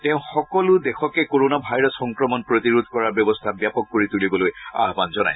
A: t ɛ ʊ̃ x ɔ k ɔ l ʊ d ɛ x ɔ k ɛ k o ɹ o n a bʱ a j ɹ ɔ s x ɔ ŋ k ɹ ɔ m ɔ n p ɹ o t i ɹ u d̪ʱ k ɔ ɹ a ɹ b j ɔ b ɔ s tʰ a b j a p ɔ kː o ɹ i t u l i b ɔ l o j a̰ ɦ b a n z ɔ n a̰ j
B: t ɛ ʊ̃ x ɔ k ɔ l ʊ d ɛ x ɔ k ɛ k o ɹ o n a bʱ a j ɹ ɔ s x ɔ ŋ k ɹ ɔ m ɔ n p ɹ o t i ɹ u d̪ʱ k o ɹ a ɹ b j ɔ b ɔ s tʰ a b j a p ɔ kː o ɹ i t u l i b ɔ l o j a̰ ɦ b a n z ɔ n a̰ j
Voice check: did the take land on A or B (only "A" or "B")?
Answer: A